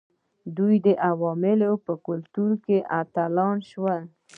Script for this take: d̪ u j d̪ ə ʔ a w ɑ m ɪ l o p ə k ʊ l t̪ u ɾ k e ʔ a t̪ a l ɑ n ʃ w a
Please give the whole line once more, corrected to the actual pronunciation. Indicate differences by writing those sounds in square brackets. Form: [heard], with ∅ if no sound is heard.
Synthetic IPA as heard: d̪ u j d̪ ə ʔ a w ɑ m ɪ l o p ə k ʊ l t̪ u ɾ k e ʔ a t̪ a l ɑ n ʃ w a

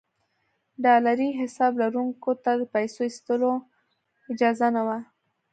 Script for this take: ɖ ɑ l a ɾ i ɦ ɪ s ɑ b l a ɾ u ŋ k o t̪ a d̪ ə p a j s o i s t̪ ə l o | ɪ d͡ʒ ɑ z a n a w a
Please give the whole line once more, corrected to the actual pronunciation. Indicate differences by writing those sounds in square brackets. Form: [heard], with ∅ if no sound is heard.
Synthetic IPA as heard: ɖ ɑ l a ɾ i ɦ ɪ s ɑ b l a ɾ u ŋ k o t̪ a d̪ ə p a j s o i s t̪ ə l o | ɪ d͡ʒ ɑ z a n a w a

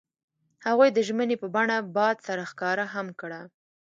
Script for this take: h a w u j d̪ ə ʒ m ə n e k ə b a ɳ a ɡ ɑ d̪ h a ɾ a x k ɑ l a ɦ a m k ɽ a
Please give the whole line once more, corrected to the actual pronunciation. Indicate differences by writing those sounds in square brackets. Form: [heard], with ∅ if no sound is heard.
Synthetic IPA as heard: h a [ɣ] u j d̪ ə ʒ m ə n e [p] ə b a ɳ a [b] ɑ d̪ [s] a ɾ a x k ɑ [ɾ] a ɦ a m k ɽ a

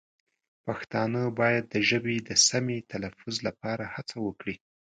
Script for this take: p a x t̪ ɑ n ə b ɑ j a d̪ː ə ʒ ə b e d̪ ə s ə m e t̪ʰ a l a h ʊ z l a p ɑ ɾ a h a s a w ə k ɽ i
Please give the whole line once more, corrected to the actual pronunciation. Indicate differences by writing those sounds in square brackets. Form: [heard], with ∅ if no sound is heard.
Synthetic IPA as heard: p a x t̪ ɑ n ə b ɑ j a d̪ː ə ʒ ə b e d̪ ə s [a] m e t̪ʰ a l a [f] ʊ z l a p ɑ ɾ a h a [t͡s] a w ə k ɽ i

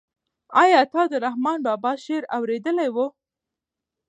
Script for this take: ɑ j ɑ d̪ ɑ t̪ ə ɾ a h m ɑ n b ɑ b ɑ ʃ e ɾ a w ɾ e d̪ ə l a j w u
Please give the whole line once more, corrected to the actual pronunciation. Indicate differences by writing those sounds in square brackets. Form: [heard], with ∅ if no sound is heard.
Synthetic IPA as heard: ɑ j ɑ [t̪] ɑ [d̪] ə ɾ a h m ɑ n b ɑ b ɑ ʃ e ɾ a w ɾ e d̪ ə l a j w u

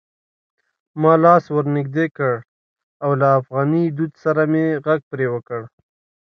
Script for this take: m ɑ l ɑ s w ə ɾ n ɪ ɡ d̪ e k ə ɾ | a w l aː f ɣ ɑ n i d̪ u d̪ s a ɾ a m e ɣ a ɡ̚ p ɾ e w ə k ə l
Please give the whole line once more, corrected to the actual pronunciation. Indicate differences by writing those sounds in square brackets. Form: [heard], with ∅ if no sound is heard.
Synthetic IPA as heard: m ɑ l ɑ s w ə ɾ n ɪ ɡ d̪ e k ə [ɽ] | a w l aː f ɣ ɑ n i d̪ u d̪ s a ɾ a m e ɣ a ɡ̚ p ɾ e w ə k ə [ɽ]

